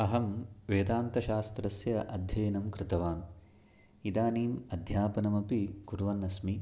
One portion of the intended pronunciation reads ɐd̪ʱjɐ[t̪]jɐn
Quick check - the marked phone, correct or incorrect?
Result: incorrect